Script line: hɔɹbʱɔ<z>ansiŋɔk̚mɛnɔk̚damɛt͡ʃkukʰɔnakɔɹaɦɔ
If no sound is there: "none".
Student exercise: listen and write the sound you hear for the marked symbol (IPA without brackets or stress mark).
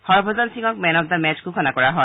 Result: z